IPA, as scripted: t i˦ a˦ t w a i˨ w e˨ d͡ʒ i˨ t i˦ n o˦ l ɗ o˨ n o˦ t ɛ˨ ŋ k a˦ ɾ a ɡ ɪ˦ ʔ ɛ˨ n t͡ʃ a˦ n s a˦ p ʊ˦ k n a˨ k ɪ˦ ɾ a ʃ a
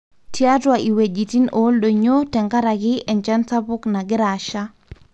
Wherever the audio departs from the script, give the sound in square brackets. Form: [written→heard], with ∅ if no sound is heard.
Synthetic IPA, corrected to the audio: t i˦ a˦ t w a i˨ w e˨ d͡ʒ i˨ t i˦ n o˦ l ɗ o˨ [n→ɲ] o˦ t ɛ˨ ŋ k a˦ ɾ a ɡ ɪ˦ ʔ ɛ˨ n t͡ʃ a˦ n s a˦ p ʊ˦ k n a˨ [k→ɡ] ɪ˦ ɾ a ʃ a